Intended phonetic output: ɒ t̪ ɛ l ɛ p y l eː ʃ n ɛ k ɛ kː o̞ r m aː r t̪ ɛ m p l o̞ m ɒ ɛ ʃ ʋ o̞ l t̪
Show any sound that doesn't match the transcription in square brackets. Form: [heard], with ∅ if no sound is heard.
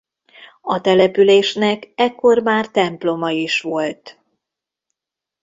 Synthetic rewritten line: ɒ t̪ ɛ l ɛ p y l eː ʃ n ɛ k ɛ kː o̞ r m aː r t̪ ɛ m p l o̞ m ɒ [i] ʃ ʋ o̞ l t̪